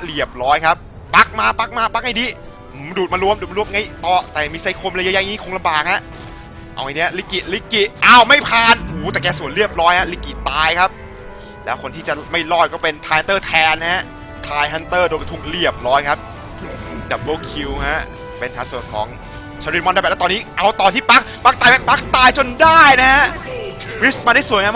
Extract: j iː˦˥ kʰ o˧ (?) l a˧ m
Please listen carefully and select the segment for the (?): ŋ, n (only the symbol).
ŋ